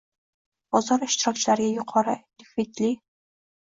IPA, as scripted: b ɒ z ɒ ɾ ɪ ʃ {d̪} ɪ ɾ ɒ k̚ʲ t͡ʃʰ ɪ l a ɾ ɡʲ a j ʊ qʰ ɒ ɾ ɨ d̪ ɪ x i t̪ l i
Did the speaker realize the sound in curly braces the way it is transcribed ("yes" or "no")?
no